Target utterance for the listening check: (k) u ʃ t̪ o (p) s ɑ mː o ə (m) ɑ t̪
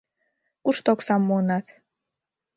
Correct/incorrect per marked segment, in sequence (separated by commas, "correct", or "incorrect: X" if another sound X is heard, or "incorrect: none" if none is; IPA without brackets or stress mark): correct, incorrect: k, incorrect: n